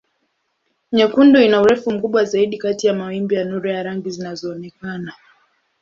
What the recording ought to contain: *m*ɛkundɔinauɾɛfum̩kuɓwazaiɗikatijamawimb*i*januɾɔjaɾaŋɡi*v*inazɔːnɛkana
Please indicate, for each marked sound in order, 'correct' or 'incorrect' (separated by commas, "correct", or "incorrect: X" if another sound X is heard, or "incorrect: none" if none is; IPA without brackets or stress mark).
incorrect: ɲ, correct, incorrect: z